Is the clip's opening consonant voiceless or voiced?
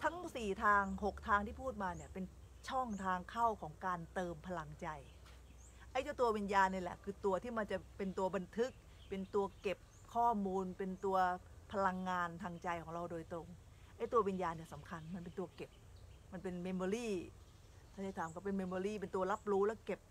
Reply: voiceless